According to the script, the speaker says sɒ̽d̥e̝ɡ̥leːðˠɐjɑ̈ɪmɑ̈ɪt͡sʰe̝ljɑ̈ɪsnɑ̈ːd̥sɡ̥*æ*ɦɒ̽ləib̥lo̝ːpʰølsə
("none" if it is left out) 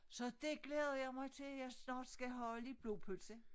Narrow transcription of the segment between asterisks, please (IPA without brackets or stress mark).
æ